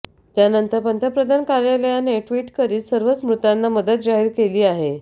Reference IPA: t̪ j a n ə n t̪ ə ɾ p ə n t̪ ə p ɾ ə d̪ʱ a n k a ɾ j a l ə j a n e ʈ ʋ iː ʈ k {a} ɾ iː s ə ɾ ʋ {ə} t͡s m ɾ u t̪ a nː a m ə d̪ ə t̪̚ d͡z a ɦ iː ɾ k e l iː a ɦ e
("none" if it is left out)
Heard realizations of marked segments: ə, ə

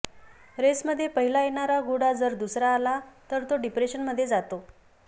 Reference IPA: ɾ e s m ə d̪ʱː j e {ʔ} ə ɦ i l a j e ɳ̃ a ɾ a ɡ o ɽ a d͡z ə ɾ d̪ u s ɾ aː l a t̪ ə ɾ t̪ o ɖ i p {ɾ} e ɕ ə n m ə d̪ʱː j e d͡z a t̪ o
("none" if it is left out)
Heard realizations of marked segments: p, ɾ

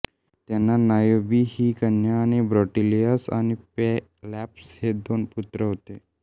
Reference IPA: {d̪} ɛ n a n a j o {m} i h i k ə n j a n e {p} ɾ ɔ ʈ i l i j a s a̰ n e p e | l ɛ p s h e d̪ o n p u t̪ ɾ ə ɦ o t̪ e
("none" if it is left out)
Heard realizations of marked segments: t̪, b, b

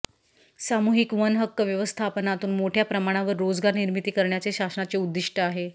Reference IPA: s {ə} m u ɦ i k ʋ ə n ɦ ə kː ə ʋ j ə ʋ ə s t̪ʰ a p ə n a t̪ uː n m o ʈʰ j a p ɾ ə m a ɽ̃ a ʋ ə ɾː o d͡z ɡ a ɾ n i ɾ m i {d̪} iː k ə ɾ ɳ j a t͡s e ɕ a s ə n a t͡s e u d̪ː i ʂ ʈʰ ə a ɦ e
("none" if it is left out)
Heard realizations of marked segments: a, t̪

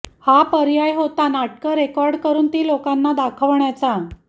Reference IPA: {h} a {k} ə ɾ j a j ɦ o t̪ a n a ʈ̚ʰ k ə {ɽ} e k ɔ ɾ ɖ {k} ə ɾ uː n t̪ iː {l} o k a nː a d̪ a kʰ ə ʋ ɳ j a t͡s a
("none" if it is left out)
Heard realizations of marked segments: h, p, ɾ, k, l

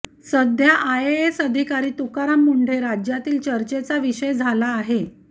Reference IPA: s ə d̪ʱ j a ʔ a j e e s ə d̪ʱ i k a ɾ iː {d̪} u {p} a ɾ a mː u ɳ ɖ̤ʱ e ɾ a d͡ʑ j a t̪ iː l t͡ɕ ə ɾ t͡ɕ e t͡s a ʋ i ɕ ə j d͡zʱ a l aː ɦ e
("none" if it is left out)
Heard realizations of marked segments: t̪, k

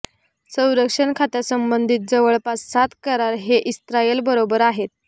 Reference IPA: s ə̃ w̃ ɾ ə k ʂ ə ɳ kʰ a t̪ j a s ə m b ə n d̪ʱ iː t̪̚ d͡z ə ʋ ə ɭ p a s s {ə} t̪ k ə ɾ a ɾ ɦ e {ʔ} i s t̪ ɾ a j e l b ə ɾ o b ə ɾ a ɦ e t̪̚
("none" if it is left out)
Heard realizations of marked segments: a, ʔ

